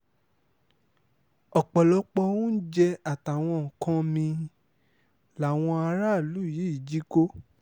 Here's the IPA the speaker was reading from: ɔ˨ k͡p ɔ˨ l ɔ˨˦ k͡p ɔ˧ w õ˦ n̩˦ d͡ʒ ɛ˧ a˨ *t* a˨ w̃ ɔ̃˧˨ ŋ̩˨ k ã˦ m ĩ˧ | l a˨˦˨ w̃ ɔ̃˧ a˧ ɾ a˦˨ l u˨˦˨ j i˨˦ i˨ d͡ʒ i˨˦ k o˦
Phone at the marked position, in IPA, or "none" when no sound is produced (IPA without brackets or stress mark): t